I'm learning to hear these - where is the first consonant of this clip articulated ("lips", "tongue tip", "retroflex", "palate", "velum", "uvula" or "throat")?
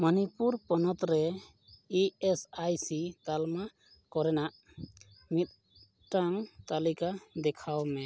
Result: lips